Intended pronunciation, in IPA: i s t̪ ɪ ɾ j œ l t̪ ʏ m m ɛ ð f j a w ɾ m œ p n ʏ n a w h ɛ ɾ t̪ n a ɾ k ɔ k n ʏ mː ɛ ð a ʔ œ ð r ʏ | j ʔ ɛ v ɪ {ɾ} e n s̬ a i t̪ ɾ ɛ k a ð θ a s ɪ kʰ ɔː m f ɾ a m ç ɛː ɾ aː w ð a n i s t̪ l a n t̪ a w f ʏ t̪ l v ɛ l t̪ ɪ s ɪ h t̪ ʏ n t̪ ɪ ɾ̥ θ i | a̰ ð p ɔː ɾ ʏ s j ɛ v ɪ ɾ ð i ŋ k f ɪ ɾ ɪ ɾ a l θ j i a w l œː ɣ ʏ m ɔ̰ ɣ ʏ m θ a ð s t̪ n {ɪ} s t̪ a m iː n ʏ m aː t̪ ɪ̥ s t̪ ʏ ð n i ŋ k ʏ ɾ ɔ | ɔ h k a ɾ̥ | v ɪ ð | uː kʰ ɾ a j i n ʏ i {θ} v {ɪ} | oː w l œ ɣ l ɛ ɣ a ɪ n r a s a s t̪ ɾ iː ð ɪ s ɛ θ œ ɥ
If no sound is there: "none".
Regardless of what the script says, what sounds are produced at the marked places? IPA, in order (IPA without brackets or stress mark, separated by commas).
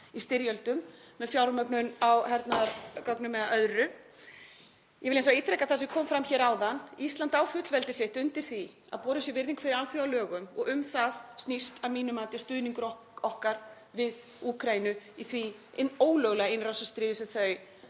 l, i, θ, i